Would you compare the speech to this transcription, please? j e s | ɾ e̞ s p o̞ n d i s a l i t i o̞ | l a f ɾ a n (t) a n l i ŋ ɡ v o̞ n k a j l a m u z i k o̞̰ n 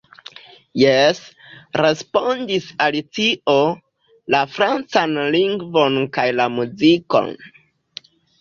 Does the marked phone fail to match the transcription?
yes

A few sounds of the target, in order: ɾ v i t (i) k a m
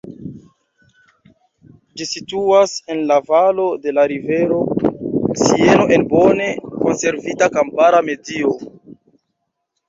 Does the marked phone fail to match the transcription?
yes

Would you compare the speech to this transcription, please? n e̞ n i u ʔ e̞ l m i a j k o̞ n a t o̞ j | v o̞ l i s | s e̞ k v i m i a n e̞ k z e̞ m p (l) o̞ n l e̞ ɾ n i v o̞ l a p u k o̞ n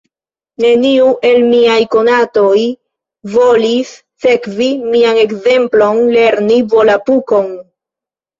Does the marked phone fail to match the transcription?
no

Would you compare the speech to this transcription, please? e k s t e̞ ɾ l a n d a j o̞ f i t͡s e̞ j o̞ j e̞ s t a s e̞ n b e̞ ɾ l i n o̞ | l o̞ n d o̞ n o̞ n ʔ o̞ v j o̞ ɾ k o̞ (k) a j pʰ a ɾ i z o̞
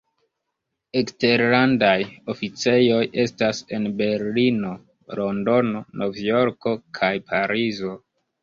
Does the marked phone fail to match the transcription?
yes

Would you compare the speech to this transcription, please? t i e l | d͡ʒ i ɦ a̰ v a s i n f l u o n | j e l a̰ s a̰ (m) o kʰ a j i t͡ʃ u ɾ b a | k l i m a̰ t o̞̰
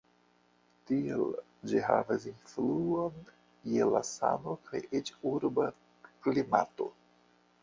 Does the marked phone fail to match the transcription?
yes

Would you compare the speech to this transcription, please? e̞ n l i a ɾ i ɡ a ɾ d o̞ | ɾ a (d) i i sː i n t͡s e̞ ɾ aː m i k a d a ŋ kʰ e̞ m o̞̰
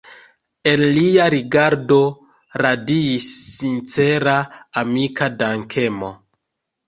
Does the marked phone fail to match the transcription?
no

